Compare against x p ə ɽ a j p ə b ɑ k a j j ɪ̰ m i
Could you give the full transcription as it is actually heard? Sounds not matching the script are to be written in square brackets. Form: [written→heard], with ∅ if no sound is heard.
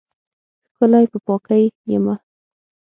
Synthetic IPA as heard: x [p→k] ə [ɽ→l] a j p ə [b→p] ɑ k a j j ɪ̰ m [i→a]